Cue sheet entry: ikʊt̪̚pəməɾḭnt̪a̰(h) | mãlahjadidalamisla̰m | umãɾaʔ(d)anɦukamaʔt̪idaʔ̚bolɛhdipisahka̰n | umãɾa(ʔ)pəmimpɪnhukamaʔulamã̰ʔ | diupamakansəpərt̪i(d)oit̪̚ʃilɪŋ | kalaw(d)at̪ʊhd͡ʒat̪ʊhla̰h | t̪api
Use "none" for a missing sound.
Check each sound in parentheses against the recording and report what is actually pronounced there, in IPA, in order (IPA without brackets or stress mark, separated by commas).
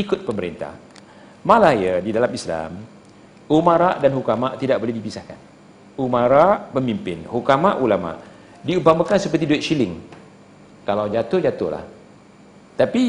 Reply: h, d, ʔ, d, d͡ʒ